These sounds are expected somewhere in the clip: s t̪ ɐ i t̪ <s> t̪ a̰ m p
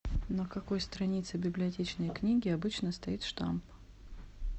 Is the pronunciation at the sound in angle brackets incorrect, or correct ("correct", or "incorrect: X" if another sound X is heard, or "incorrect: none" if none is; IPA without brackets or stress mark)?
incorrect: ʂ